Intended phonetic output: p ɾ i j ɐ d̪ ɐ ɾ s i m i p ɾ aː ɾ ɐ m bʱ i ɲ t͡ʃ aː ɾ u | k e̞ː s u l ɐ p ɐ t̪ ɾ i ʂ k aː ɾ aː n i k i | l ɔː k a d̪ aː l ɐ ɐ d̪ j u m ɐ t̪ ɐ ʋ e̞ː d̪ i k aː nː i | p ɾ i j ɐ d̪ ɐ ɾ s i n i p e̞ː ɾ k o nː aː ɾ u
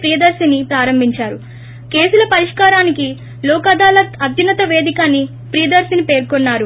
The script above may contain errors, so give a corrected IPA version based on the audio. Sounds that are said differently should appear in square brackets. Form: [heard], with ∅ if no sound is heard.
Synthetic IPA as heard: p ɾ i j ɐ d̪ ɐ ɾ s i [n] i p ɾ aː ɾ ɐ m bʱ i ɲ t͡ʃ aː ɾ u | k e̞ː s u l ɐ p ɐ [∅] ɾ i ʂ k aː ɾ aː n i k i | l ɔː k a d̪ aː l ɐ ɐ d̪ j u [n] ɐ t̪ ɐ ʋ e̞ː d̪ i k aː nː i | p ɾ i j ɐ d̪ ɐ ɾ s i n i p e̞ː ɾ k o nː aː ɾ u